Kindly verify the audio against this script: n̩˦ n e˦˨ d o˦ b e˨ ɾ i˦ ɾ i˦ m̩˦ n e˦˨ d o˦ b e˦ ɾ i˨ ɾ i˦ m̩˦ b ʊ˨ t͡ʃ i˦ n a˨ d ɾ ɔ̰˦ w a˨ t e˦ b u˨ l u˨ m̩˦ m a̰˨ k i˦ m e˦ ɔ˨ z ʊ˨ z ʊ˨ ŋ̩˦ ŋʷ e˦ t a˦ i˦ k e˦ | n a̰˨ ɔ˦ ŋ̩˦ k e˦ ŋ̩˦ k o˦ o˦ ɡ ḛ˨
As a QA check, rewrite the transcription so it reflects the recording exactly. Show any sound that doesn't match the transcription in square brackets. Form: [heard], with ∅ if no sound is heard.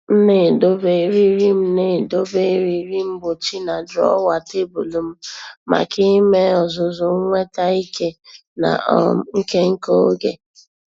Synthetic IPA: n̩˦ n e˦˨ d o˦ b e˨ ɾ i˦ ɾ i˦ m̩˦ n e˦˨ d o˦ b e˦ ɾ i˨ ɾ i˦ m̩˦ b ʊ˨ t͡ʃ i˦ n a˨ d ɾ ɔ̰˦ w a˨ t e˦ b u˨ l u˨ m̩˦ m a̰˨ k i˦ m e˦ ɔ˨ z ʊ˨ z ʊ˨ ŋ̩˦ ŋʷ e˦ t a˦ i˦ k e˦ | n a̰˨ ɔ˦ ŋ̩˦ k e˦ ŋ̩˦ k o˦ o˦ ɡ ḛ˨